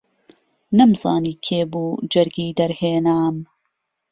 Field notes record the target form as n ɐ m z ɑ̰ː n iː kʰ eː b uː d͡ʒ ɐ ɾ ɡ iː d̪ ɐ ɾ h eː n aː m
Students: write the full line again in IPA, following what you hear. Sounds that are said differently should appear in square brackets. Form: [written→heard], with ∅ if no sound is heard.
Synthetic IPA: n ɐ m z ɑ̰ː n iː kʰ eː b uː d͡ʒ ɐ ɾ ɡ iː d̪ ɐ ɾ h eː n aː m